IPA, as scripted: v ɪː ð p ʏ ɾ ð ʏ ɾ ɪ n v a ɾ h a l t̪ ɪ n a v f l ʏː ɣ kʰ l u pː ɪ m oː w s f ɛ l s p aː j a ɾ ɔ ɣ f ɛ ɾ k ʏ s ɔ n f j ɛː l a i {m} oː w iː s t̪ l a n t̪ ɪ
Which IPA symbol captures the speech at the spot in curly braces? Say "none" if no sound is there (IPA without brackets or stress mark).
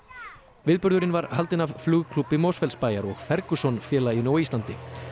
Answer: n